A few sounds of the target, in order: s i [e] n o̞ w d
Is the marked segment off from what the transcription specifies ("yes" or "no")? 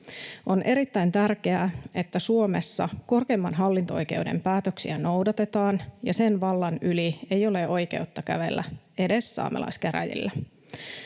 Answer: yes